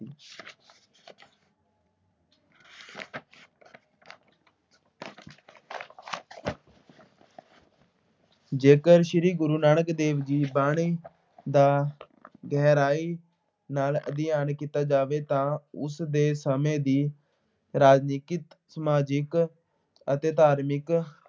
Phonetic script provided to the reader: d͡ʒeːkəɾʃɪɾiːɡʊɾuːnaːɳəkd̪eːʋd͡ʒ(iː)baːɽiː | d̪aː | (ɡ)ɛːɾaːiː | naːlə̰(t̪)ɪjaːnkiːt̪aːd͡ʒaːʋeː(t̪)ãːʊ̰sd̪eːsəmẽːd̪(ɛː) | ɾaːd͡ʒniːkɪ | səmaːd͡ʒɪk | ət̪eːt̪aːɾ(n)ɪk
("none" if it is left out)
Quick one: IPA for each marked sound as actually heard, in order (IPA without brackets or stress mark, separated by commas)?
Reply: iː, ɡ, d̪, t̪, iː, m